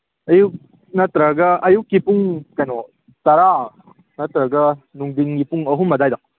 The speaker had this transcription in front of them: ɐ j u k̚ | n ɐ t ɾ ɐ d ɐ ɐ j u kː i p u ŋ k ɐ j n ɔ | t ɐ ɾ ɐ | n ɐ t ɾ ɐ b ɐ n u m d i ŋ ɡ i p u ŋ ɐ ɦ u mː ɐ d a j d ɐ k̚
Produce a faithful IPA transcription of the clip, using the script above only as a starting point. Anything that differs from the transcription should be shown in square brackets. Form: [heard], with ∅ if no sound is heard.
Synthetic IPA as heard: ɐ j u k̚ | n ɐ t ɾ ɐ [ɡ] ɐ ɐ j u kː i p u ŋ k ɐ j n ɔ | t ɐ ɾ [a] | n ɐ t ɾ ɐ [ɡ] ɐ n u [ŋ] d i ŋ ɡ i p u ŋ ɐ ɦ u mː ɐ d a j d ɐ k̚